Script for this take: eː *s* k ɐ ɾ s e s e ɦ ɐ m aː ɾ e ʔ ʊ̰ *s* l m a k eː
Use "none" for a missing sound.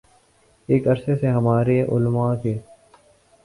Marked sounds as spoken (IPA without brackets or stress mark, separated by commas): none, none